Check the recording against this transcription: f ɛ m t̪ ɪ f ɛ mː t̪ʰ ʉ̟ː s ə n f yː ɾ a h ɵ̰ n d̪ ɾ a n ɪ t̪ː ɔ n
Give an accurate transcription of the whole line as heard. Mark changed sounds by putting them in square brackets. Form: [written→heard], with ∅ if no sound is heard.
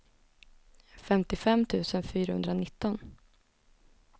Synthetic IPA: f ɛ m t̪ ɪ f ɛ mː t̪ʰ ʉ̟ː s ə n f yː ɾ a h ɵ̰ n d̪ ɾ a n ɪ t̪ː ɔ n